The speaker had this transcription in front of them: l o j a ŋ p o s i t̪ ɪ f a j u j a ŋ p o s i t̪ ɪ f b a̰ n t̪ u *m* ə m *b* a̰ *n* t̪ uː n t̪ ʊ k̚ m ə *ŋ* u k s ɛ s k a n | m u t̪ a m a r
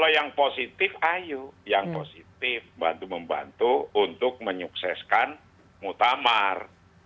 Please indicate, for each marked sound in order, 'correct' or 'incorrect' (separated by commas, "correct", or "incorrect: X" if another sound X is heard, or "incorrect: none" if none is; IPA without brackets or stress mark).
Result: correct, correct, correct, incorrect: ɲ